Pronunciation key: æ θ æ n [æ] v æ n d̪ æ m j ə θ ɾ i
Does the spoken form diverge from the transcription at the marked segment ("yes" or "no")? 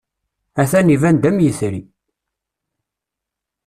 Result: yes